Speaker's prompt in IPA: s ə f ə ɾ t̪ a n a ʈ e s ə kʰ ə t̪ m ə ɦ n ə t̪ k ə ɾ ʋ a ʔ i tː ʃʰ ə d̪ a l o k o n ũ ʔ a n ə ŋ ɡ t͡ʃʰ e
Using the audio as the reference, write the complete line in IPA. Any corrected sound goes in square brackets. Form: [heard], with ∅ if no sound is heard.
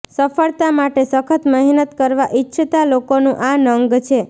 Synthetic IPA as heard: s ə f ə [ɭ] t̪ a [m] a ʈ e s ə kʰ ə t̪ m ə ɦ n ə t̪ k ə ɾ ʋ a ʔ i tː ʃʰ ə [t̪] a l o k o n ũ ʔ a n ə ŋ ɡ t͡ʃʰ e